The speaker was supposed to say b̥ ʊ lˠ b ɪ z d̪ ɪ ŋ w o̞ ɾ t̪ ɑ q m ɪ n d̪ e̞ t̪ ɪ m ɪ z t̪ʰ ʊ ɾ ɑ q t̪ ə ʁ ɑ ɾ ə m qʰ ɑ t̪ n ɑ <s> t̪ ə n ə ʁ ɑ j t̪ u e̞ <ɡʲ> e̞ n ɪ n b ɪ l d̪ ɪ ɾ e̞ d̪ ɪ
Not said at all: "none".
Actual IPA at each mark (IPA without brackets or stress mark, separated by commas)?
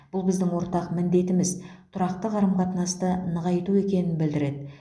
s, kʲ